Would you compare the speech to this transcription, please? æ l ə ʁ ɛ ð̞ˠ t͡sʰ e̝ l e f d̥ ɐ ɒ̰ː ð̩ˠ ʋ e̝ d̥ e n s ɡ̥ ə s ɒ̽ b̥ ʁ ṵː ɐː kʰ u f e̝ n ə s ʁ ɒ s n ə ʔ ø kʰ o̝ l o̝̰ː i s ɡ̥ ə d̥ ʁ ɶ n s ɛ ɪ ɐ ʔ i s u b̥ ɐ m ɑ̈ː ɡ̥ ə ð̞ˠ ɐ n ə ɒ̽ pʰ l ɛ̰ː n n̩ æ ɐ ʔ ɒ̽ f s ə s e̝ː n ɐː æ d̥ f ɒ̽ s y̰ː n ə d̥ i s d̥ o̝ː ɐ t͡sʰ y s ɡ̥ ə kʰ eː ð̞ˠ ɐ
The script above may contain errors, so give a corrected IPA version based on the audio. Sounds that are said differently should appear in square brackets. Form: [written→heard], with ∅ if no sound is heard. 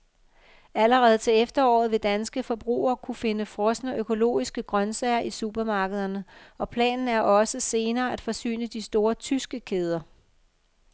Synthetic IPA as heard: æ l ə ʁ ɛ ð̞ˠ t͡sʰ e̝ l e f d̥ ɐ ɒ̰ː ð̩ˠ ʋ e̝ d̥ [e→æ] n s ɡ̥ ə [s→f] ɒ̽ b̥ ʁ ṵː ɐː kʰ u f e̝ n ə [s→f] ʁ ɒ s n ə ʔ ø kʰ o̝ l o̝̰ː i s ɡ̥ ə [d̥→ɡ̥] ʁ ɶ n s ɛ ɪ ɐ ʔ i s u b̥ ɐ m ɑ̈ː ɡ̥ ə ð̞ˠ ɐ n ə ɒ̽ pʰ l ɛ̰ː n n̩ æ ɐ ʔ ɒ̽ [f→∅] s ə s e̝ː n ɐː æ d̥ f ɒ̽ s y̰ː n ə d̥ i s d̥ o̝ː ɐ t͡sʰ y s ɡ̥ ə kʰ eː ð̞ˠ ɐ